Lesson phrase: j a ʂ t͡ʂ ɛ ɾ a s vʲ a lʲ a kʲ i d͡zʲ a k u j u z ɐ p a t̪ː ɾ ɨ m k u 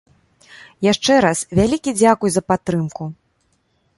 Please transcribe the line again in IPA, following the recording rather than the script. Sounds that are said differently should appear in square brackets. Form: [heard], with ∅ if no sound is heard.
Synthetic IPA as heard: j a ʂ t͡ʂ ɛ ɾ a s vʲ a lʲ [i] kʲ i d͡zʲ a k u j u z ɐ p a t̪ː ɾ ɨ m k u

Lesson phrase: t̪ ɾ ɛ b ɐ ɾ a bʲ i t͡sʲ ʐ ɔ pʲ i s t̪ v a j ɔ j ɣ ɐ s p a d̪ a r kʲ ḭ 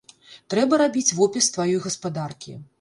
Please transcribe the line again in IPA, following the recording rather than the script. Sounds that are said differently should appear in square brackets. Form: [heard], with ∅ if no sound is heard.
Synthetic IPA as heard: t̪ ɾ ɛ b ɐ ɾ a bʲ i t͡sʲ [v] ɔ pʲ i s t̪ v a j ɔ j ɣ ɐ s p a d̪ a r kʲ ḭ

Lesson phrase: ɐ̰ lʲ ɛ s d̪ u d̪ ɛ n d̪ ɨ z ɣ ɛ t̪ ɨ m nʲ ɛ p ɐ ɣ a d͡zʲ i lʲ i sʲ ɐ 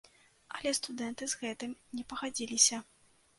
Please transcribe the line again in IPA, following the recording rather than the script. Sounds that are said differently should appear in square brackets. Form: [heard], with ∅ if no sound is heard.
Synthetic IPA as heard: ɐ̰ lʲ ɛ s [t̪] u d̪ ɛ n [t̪] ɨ z ɣ ɛ t̪ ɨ m nʲ ɛ p ɐ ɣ a d͡zʲ i lʲ i sʲ ɐ

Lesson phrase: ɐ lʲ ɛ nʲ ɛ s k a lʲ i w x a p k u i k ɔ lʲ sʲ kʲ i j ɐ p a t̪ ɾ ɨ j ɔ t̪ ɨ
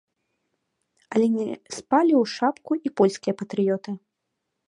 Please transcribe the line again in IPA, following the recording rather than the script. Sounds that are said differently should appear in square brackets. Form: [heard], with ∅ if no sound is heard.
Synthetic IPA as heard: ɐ lʲ ɛ nʲ ɛ s [p] a lʲ i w [ʂ] a p k u i [p] ɔ lʲ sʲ kʲ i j ɐ p [ɐ] t̪ ɾ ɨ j ɔ t̪ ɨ

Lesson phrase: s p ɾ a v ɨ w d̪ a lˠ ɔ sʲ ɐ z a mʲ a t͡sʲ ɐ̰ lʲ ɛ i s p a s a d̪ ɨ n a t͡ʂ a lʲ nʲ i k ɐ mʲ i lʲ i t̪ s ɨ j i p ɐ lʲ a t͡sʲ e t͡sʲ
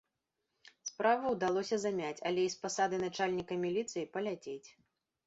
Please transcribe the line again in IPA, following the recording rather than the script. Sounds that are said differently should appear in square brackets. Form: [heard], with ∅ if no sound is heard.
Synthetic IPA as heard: s p ɾ a v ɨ w d̪ a lˠ ɔ sʲ ɐ z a mʲ a t͡sʲ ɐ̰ lʲ ɛ i s p a s a d̪ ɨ n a t͡ʂ a lʲ nʲ i k ɐ mʲ i lʲ i t̪ s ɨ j i p ɐ lʲ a t͡sʲ e t͡sʲ

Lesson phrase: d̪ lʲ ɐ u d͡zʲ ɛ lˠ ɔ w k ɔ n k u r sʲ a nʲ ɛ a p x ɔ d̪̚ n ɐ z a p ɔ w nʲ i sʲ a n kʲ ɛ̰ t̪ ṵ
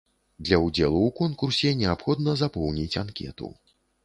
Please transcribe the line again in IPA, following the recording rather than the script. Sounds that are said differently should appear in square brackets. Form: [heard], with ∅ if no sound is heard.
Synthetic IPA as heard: d̪ lʲ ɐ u d͡zʲ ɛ lˠ [u] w k ɔ n k u r sʲ [ɛ] nʲ ɛ a p x ɔ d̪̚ n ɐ z a p ɔ w nʲ i [t͡sʲ] a n kʲ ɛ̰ t̪ ṵ

